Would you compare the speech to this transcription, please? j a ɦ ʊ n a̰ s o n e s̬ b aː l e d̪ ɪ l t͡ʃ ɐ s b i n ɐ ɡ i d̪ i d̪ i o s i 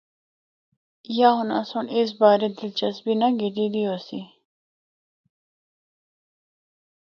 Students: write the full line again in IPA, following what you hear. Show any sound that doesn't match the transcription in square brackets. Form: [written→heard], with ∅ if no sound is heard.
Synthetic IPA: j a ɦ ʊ n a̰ s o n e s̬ b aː [l→ɾ] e d̪ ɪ l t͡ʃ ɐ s b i n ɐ ɡ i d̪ i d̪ i o s i